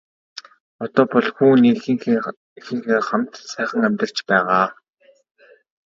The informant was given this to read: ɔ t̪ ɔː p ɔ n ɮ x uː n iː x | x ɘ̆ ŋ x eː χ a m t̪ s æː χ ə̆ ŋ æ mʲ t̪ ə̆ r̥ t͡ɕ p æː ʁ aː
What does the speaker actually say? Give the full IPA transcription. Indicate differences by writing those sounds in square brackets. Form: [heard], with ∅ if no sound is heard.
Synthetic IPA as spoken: ɔ t̪ ɔː p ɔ [∅] ɮ x uː n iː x | x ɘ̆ ŋ x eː χ a m t̪ s æː χ ə̆ ŋ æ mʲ t̪ ə̆ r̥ t͡ɕ p æː ʁ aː